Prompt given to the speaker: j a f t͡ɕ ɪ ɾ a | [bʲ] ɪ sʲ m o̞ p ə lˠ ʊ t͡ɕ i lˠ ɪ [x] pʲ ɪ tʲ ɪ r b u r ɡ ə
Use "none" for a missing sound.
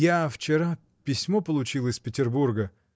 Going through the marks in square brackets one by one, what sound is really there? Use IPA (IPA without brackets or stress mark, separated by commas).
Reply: pʲ, s